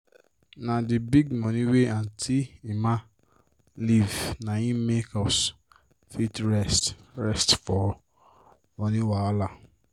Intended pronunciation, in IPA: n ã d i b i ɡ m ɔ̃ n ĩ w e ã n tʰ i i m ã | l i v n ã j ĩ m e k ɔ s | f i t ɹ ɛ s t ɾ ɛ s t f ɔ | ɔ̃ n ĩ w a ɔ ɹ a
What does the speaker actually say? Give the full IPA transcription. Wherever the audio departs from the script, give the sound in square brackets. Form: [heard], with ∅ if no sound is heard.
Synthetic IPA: n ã d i b i ɡ m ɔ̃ n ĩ w e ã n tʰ i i m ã | l i v n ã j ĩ m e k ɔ s | f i t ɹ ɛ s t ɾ ɛ s t f ɔ | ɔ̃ n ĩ w a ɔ [l] a